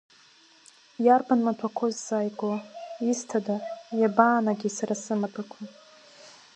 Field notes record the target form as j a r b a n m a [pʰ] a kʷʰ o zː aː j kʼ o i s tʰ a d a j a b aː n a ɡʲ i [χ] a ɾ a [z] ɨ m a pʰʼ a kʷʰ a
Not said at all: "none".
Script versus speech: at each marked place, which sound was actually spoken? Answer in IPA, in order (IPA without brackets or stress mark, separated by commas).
tʰ, s, s